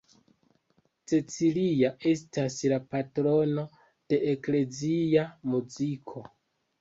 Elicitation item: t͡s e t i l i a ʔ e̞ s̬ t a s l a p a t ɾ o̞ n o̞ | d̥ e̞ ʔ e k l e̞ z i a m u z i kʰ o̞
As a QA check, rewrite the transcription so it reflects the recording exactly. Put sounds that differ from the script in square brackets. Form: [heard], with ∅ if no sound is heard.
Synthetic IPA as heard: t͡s e [t͡s] i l i a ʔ e̞ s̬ t a s l a p a t ɾ o̞ n o̞ | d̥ e̞ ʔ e k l e̞ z i a m u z i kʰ o̞